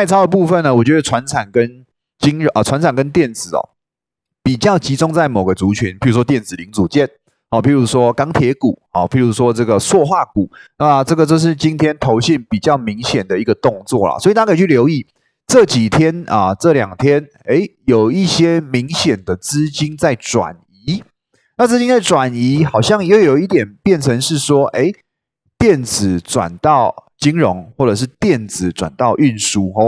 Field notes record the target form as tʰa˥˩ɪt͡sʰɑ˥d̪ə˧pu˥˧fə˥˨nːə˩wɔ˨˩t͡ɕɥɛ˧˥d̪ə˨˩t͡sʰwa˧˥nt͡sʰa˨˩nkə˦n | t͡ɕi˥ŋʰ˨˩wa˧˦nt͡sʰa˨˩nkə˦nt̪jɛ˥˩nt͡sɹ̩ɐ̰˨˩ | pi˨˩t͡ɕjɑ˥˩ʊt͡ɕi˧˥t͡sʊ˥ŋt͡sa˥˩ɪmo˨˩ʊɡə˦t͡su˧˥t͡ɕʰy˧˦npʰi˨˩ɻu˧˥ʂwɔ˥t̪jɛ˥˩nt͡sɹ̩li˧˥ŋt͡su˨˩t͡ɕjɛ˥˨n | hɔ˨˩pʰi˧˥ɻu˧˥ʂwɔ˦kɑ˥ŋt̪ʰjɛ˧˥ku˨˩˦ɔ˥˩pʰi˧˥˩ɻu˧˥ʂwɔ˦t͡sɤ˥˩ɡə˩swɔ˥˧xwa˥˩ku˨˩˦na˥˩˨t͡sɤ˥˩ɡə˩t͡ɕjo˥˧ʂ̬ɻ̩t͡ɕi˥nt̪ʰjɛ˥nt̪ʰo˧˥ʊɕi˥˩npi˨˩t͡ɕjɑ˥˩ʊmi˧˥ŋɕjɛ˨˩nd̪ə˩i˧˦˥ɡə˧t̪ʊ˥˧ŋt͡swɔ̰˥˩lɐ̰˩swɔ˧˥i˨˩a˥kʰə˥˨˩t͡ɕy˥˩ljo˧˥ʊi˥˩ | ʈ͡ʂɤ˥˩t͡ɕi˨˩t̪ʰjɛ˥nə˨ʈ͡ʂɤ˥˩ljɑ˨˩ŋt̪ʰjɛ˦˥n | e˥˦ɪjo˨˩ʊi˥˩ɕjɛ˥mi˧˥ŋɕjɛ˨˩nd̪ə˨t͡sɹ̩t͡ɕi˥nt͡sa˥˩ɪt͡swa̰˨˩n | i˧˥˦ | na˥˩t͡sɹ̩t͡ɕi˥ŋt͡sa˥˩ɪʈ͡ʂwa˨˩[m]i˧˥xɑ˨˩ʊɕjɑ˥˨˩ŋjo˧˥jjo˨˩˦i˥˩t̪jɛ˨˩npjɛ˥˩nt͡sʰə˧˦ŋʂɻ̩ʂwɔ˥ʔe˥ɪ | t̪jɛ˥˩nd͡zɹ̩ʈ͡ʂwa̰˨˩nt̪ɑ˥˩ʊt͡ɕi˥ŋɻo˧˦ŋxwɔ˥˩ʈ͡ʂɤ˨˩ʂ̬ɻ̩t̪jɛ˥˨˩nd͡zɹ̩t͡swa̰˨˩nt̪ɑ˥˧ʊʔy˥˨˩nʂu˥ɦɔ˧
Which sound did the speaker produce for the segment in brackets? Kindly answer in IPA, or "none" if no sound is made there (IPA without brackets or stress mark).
n